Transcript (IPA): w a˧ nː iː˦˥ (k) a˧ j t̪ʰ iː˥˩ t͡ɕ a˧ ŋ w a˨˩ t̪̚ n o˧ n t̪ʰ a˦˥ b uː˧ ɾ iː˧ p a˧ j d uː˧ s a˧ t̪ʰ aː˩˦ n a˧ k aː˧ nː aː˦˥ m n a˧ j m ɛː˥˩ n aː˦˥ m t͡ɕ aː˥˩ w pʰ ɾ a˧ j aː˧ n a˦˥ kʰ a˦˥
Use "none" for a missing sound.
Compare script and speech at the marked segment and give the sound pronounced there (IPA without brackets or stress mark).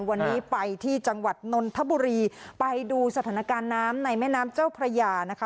p